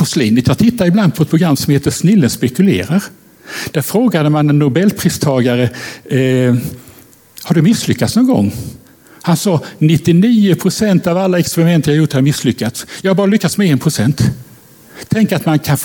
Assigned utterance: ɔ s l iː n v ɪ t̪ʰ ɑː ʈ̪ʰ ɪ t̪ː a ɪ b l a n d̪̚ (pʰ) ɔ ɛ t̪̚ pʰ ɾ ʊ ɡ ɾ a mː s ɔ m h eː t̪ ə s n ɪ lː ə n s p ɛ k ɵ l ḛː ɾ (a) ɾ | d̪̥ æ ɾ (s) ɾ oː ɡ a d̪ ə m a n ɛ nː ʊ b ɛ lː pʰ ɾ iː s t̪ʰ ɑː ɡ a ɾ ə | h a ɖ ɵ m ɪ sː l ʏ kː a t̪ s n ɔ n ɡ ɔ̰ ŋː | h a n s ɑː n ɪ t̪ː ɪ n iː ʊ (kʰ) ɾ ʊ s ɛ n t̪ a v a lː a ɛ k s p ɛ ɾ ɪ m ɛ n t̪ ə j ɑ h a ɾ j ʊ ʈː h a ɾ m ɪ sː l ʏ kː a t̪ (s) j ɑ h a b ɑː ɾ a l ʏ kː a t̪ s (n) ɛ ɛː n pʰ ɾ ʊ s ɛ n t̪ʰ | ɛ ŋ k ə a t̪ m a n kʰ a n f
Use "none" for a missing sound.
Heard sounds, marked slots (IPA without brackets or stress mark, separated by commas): pʰ, a, f, pʰ, s, m